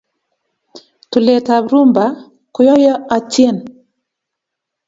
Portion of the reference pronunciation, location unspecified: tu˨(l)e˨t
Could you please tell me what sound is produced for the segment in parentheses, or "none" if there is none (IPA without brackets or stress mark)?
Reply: l